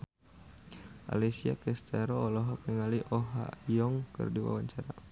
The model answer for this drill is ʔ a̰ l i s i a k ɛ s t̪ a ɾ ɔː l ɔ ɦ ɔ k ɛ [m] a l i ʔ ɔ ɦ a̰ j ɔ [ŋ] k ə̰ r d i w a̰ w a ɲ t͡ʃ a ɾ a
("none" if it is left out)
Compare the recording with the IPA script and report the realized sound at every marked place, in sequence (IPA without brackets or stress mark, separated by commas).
ŋ, ŋ